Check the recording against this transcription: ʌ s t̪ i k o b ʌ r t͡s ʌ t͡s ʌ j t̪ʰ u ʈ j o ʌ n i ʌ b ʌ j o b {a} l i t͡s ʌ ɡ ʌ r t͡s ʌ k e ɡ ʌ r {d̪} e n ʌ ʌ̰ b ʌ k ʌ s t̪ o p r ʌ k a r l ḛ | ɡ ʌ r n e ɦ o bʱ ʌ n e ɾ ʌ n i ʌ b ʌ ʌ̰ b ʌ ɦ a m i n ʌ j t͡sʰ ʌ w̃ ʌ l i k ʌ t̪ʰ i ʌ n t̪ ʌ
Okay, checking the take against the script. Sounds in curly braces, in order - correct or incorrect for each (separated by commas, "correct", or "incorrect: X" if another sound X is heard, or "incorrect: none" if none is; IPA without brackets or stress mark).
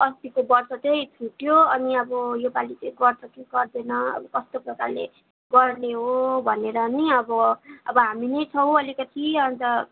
correct, correct